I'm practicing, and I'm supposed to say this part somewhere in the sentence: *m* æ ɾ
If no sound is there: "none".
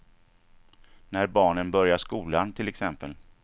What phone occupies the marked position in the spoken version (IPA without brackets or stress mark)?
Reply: n